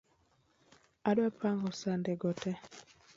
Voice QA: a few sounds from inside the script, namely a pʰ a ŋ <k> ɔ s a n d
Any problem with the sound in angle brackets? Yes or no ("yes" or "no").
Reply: yes